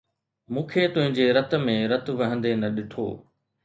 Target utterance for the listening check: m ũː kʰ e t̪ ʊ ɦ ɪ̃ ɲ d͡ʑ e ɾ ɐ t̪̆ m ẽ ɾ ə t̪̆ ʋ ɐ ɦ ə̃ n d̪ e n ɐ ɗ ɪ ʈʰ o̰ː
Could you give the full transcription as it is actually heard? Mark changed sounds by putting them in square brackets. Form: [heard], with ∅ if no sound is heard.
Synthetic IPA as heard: m ũː kʰ e t̪ ʊ ɦ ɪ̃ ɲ d͡ʑ e ɾ ɐ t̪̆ m ẽ ɾ [ɐ] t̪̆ ʋ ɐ ɦ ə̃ n d̪ e n ɐ ɗ ɪ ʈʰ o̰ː